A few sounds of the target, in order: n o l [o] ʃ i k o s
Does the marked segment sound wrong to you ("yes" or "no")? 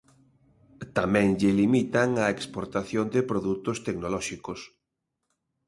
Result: yes